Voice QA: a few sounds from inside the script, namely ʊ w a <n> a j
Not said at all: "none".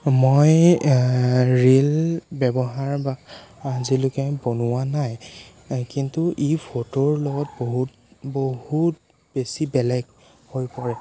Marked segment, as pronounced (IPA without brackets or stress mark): n